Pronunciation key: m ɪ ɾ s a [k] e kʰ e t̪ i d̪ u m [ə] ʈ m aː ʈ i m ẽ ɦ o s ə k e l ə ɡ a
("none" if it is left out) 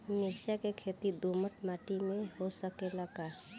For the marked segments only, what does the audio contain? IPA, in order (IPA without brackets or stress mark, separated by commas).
k, ə